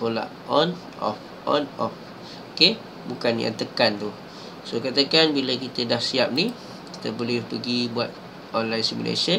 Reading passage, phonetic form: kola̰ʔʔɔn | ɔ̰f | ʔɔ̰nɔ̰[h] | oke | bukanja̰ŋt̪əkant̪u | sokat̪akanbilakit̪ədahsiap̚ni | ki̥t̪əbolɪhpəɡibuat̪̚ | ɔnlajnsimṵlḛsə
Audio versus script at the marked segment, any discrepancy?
yes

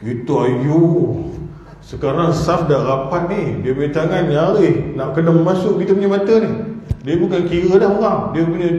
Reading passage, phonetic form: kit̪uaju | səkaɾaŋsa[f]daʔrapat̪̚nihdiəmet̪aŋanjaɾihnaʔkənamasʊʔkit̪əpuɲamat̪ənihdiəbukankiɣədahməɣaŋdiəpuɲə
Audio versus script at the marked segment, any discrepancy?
no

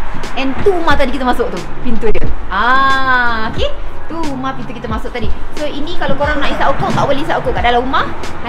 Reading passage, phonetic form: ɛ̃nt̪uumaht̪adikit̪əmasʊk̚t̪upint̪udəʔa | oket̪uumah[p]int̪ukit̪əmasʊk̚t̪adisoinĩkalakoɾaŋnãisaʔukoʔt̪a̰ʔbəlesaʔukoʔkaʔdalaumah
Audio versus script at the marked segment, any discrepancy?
no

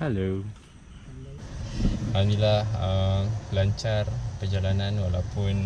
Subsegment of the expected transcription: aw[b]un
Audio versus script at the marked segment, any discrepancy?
yes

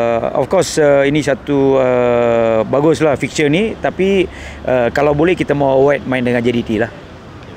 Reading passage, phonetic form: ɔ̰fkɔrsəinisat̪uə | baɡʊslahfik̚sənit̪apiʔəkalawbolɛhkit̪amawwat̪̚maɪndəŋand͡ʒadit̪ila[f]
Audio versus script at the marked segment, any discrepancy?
yes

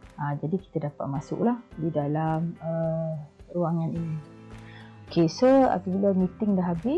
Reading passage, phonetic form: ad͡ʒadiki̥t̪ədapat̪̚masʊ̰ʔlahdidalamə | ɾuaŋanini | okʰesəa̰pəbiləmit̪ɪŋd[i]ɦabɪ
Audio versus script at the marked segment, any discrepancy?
yes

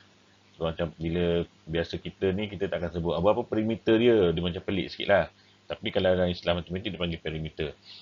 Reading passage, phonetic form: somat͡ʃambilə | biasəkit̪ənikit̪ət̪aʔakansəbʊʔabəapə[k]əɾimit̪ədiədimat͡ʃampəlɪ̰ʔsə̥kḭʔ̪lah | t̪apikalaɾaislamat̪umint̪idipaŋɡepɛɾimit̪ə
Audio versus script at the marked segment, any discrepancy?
yes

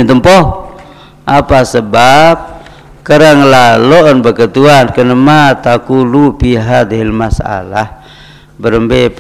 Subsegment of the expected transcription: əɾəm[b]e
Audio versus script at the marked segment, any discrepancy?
no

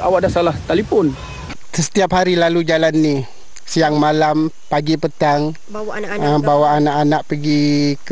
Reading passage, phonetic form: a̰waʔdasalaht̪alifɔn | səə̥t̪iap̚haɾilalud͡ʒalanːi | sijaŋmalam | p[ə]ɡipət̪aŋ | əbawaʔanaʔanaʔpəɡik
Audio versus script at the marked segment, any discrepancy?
yes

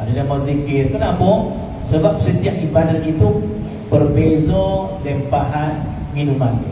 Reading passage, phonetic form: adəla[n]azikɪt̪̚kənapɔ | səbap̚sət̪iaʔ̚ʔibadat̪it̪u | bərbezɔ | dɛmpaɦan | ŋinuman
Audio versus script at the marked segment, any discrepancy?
yes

